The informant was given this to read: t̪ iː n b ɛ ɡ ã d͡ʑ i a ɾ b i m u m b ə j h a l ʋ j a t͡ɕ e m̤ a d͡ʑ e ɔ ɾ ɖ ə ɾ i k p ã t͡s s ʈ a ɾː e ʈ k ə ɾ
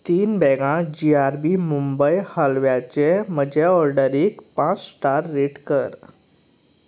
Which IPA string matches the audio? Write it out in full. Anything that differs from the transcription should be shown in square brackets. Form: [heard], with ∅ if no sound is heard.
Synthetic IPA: t̪ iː n b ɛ ɡ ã d͡ʑ i a ɾ b i m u m b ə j h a l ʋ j a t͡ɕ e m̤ [ə] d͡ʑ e ɔ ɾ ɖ ə ɾ i k p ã t͡s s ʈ a ɾː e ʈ k ə ɾ